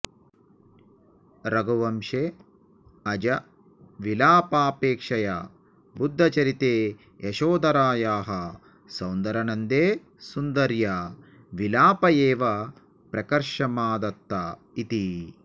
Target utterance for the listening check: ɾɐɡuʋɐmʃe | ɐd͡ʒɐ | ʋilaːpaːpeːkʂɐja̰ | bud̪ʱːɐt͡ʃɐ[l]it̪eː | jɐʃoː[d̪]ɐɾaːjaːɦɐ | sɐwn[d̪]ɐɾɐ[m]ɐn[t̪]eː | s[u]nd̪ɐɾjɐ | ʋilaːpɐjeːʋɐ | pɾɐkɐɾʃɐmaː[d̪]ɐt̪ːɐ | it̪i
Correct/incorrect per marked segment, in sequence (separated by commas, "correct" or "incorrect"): incorrect, correct, correct, incorrect, incorrect, correct, correct